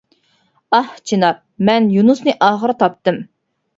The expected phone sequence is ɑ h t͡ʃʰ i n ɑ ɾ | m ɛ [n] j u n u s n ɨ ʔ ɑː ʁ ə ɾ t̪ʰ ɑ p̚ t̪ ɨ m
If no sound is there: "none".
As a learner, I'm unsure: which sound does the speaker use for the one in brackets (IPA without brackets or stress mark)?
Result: n